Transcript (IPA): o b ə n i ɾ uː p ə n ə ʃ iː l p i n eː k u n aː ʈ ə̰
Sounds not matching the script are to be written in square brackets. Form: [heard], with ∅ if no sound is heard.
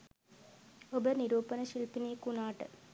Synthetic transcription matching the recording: o b ə n i ɾ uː p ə n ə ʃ [i] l p i n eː k u n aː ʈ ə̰